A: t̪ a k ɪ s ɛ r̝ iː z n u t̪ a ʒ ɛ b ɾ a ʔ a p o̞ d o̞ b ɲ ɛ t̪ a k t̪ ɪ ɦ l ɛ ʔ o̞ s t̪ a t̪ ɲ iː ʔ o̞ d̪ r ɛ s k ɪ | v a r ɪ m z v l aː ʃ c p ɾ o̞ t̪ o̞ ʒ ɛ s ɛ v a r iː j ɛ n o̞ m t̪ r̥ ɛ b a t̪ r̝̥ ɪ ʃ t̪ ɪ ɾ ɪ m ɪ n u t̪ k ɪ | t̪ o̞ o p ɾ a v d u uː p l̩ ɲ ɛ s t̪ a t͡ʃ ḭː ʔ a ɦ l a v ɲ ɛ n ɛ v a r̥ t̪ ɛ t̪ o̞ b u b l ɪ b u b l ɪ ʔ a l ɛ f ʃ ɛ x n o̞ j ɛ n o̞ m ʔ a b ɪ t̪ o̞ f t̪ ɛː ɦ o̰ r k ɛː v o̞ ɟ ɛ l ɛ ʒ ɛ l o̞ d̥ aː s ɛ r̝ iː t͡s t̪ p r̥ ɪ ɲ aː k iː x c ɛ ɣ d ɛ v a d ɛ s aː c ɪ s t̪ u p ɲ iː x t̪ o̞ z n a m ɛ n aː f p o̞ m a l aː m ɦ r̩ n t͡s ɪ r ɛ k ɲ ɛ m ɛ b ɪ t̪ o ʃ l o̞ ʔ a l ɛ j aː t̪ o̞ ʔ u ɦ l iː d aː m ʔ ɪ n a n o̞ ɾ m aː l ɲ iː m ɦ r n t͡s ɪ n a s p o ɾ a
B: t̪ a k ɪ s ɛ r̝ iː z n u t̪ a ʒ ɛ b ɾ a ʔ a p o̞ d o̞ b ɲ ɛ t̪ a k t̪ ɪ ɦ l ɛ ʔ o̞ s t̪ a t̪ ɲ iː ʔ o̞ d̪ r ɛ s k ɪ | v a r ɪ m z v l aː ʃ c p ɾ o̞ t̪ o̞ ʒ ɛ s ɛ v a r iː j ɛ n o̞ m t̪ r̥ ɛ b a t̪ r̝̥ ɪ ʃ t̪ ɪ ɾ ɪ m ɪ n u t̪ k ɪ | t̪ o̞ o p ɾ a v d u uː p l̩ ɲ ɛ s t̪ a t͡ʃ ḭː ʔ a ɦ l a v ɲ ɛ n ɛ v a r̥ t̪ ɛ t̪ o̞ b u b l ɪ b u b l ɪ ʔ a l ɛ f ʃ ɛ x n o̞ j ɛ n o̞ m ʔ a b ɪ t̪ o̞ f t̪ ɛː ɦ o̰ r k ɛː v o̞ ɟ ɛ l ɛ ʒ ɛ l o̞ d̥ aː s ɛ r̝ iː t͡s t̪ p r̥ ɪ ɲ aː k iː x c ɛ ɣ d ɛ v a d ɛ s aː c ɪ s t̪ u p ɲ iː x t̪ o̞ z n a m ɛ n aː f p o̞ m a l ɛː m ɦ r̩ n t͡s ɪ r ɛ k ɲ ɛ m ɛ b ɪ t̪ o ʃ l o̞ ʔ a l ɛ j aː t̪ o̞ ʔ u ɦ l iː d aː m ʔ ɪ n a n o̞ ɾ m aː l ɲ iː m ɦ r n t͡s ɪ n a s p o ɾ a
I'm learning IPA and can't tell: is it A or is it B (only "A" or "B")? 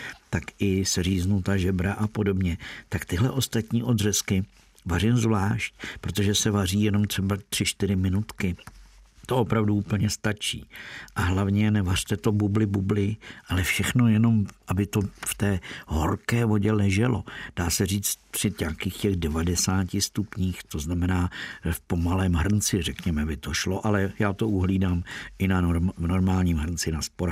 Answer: B